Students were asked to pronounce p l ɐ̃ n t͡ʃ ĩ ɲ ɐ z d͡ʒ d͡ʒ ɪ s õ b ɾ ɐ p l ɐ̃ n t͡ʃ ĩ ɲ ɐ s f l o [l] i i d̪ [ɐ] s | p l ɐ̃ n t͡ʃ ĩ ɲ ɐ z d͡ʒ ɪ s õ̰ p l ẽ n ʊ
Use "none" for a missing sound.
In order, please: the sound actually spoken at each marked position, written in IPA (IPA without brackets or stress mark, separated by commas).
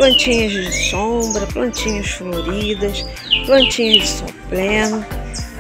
ɾ, ɐ